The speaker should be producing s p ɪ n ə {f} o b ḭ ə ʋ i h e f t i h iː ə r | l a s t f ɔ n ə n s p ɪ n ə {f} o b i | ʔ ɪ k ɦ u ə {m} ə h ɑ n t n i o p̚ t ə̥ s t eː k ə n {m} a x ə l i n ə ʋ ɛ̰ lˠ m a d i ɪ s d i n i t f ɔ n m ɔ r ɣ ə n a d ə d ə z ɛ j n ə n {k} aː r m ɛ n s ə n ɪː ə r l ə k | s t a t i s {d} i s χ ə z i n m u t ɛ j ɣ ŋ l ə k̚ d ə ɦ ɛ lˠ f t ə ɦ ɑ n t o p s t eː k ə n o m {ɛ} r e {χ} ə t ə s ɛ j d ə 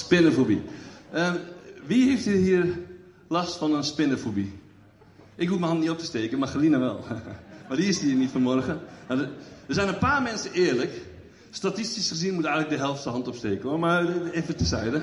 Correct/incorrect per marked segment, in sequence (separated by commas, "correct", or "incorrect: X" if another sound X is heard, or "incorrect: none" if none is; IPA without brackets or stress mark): correct, correct, correct, correct, incorrect: p, incorrect: t, incorrect: a, incorrect: f